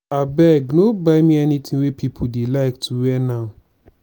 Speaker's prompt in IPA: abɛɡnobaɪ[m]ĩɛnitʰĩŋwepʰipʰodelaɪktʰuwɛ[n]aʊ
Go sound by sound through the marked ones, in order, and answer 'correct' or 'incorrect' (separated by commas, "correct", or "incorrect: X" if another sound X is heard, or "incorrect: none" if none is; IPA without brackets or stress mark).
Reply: correct, correct